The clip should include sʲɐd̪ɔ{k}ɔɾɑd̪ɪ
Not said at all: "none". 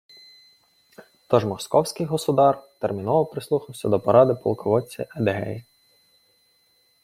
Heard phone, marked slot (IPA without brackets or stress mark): p